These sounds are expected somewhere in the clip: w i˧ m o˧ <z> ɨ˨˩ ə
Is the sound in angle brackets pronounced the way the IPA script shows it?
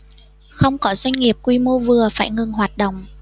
no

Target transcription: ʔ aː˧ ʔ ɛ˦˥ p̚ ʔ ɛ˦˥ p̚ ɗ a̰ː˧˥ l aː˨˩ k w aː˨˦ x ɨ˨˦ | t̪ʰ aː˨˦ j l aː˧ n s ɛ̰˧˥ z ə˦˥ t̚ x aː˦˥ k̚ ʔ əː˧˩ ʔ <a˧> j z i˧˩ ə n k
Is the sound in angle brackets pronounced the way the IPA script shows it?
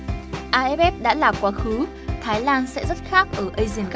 no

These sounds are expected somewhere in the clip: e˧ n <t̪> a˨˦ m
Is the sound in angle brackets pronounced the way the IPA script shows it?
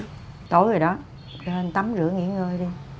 yes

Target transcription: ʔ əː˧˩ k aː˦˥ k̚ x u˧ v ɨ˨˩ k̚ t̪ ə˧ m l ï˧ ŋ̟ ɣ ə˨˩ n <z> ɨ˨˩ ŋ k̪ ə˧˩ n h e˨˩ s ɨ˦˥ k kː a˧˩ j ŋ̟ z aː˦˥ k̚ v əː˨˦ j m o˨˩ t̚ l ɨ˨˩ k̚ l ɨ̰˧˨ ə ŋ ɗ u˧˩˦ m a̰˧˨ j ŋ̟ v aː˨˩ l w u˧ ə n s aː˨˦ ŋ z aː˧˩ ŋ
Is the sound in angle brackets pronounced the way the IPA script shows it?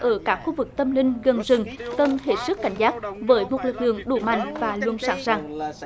yes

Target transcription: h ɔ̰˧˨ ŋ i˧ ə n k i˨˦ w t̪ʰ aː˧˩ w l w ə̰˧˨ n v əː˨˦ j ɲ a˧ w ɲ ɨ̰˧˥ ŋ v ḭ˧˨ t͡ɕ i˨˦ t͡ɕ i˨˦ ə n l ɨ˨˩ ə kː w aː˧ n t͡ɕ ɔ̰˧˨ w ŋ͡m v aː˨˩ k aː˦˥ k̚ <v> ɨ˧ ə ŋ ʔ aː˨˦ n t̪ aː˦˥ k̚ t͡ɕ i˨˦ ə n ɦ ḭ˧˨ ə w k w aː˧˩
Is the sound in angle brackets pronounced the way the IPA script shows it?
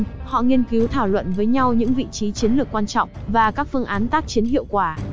no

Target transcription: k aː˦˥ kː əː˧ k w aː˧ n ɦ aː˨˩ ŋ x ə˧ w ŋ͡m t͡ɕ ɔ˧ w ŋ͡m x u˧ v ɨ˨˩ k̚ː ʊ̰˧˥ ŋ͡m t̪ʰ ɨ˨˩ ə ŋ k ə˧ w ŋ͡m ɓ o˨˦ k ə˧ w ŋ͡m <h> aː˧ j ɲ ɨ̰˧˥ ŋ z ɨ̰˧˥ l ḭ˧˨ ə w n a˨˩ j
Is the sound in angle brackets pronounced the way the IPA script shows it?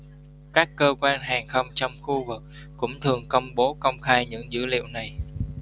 no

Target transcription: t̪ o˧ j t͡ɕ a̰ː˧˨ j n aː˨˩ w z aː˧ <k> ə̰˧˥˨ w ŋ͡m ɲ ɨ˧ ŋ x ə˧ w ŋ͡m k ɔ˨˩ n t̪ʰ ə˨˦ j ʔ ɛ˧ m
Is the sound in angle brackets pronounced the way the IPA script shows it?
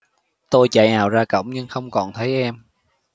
yes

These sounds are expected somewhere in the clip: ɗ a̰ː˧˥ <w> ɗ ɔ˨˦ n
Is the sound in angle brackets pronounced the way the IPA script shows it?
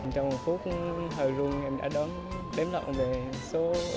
no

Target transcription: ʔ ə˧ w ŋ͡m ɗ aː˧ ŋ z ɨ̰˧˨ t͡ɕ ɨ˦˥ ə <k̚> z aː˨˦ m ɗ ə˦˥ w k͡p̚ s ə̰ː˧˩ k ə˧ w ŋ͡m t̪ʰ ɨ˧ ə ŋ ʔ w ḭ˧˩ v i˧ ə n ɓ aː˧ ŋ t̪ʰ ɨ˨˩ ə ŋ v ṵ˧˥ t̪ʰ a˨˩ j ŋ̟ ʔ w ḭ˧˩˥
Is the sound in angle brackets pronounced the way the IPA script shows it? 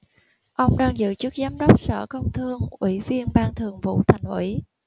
yes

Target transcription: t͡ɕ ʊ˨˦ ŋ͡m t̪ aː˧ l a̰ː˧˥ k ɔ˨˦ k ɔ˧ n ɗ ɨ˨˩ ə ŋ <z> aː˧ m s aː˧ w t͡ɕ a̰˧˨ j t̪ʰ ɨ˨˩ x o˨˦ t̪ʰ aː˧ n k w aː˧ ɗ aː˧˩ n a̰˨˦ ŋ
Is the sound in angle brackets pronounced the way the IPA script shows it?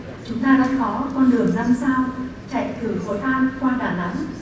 yes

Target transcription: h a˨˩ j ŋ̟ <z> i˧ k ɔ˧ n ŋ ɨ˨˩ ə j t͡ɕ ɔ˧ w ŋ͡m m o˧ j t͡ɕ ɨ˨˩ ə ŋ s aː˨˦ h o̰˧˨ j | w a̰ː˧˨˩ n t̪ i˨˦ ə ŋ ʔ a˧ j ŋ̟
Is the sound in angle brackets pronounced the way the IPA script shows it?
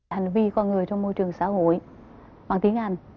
no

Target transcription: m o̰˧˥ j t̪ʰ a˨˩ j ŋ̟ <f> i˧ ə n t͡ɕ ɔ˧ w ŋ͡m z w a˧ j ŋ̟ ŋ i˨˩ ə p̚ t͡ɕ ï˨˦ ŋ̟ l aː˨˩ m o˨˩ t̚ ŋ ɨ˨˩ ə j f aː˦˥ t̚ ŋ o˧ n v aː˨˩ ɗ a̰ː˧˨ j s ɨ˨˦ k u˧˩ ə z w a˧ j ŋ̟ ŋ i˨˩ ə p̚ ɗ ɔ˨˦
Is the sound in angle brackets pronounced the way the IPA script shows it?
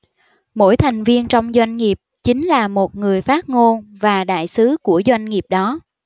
no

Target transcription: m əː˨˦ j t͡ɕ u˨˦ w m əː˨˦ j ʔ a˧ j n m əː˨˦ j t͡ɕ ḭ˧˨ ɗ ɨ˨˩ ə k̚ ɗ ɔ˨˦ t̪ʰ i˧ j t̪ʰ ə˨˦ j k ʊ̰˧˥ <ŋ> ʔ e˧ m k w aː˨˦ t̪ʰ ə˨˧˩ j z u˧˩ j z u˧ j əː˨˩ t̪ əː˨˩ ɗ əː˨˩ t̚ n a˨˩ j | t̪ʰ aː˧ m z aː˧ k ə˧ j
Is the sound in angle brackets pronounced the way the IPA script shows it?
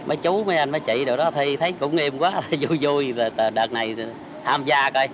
no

